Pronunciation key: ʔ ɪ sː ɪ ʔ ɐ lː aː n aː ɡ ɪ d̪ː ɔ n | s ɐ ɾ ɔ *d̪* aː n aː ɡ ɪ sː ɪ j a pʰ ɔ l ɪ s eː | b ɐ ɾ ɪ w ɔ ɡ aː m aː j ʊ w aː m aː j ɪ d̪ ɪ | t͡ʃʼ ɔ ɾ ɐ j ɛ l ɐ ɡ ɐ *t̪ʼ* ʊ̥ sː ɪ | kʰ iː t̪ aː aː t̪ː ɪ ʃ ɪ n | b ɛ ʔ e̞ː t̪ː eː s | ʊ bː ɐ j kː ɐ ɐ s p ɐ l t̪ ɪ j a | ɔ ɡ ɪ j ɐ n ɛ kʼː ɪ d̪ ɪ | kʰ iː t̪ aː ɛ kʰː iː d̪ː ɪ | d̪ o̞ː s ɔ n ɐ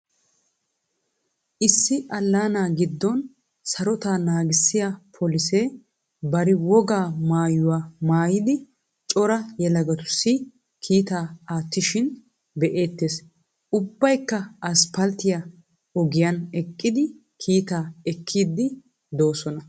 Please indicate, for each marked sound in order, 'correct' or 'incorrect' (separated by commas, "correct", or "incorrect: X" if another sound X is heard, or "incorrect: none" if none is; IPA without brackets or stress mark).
incorrect: t̪, incorrect: t̪